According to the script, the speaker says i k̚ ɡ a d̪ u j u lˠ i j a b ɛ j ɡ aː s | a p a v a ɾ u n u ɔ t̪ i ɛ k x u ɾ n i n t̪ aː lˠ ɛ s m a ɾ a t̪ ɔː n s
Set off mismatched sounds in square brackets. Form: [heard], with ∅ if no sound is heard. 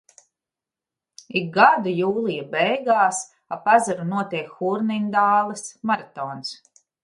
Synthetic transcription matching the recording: i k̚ ɡ a d̪ u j [uː] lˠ i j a b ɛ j ɡ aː s | a p a [z] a ɾ u n u ɔ t̪ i ɛ k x u ɾ n i n [d̪] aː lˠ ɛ s m a ɾ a t̪ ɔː n s